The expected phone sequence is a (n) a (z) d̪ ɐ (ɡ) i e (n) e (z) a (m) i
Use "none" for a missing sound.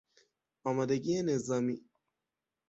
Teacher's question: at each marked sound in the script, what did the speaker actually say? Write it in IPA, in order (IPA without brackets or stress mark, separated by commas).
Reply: m, none, ɡ, n, z, m